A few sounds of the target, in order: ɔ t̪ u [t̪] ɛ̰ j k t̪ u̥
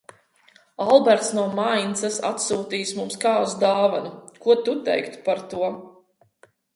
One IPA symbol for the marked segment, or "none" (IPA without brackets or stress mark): t̪